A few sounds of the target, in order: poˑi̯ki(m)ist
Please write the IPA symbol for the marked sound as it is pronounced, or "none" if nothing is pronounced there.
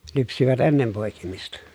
m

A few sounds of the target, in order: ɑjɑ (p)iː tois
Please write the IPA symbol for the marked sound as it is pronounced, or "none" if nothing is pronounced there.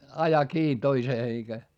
k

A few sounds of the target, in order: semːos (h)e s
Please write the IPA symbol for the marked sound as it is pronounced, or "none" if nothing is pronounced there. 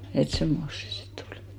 s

